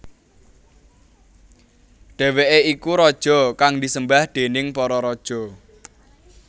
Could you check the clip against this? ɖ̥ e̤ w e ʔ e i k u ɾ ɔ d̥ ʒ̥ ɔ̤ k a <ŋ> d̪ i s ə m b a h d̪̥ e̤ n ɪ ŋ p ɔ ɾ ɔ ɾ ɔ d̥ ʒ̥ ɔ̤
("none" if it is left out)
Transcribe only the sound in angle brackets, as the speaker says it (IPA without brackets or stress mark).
ŋ